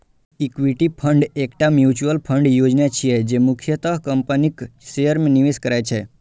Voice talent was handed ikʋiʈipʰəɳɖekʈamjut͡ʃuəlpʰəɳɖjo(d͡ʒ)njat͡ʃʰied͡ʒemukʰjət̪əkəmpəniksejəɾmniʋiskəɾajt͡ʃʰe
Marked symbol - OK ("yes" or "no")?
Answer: yes